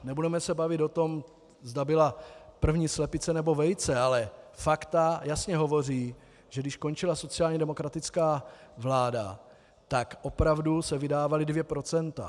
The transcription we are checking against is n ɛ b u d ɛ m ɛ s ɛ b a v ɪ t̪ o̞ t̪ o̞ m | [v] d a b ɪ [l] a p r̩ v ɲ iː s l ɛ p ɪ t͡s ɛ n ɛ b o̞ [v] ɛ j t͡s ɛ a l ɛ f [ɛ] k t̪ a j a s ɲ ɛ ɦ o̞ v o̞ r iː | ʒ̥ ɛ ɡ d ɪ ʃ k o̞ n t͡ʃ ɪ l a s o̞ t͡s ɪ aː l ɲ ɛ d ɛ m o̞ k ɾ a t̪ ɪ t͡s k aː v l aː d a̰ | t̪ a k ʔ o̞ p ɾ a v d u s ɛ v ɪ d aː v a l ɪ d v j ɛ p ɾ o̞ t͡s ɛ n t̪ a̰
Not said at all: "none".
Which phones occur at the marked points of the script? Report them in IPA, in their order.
z, l, v, a

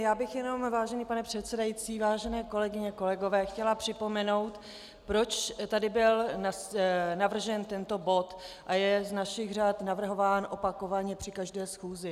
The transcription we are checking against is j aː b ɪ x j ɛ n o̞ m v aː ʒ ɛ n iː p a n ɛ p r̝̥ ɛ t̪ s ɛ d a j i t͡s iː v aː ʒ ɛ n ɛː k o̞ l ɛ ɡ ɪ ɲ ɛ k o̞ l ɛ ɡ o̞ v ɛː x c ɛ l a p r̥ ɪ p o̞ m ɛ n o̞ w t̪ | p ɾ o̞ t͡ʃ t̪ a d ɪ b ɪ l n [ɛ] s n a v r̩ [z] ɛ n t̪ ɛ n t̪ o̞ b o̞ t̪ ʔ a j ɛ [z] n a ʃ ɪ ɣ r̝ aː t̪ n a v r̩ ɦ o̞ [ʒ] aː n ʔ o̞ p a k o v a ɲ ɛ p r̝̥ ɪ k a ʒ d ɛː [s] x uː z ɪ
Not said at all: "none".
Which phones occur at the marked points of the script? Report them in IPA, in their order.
a, ʒ, z, v, s

